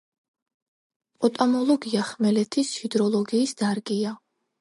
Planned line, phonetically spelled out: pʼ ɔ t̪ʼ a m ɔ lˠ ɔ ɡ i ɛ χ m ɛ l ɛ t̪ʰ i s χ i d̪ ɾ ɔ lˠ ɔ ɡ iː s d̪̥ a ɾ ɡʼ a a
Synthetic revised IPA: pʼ ɔ t̪ʼ a m ɔ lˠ ɔ ɡ i a χ m ɛ l ɛ t̪ʰ i s h i d̪ ɾ ɔ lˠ ɔ ɡ iː s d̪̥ a ɾ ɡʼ i a